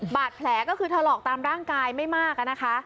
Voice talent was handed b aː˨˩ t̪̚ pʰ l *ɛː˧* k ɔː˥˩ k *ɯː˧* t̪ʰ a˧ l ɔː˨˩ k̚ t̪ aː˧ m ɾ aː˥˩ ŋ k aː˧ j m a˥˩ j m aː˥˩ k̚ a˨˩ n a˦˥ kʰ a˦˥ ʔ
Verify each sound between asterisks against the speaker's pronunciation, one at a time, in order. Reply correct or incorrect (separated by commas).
incorrect, correct